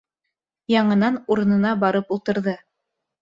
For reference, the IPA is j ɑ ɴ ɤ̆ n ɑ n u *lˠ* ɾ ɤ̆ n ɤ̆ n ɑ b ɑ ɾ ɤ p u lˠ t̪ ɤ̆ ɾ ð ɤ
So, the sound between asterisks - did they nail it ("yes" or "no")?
no